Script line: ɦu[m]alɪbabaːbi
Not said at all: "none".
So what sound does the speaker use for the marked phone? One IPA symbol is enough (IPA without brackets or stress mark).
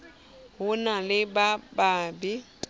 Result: n